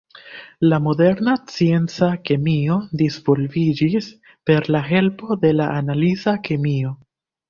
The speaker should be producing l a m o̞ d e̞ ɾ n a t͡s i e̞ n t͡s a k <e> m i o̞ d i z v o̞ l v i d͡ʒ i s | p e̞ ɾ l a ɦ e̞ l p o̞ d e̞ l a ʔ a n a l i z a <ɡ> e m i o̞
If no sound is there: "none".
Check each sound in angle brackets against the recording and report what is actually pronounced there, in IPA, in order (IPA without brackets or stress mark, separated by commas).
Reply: e, k